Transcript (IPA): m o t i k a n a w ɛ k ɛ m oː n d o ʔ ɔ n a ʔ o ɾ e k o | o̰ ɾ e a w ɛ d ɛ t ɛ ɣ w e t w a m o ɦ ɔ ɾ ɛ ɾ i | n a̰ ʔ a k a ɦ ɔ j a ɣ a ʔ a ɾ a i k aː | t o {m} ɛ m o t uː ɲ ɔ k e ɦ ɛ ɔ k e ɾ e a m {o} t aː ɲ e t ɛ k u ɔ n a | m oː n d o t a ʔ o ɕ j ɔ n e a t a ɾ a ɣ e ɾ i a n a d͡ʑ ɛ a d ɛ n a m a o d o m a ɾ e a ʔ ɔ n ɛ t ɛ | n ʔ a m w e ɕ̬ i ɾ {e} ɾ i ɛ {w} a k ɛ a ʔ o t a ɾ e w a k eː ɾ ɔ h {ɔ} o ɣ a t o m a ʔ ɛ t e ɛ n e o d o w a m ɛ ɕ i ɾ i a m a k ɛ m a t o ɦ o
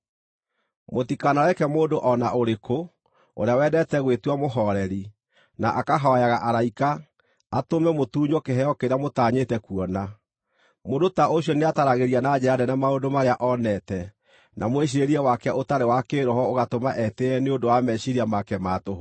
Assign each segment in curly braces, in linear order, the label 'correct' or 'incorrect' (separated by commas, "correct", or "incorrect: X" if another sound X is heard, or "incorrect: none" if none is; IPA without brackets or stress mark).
correct, correct, correct, correct, correct